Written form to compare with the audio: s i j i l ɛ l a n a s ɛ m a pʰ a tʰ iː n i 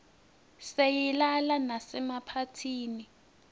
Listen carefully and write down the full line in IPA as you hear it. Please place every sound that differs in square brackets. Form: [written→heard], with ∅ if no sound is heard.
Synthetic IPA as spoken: s [i→e] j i l [ɛ→a] l a n a s ɛ m a pʰ a tʰ iː n i